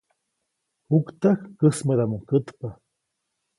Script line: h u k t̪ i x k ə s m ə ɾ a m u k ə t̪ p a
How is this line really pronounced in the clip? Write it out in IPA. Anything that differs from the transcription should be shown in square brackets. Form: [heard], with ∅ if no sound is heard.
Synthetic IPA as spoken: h u k t̪ [a] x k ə s m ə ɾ a m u k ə t̪ p a